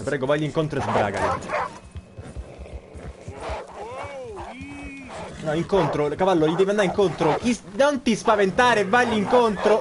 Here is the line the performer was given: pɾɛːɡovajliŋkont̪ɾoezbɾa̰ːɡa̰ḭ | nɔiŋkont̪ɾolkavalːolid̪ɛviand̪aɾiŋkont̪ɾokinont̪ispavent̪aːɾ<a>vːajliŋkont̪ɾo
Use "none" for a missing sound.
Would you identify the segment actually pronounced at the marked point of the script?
e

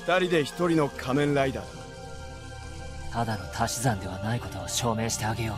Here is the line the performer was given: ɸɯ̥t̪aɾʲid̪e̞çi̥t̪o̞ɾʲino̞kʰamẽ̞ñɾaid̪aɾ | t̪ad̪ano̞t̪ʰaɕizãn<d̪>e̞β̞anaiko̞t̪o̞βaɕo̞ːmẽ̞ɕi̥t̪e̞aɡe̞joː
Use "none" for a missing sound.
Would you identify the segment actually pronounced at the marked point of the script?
d̪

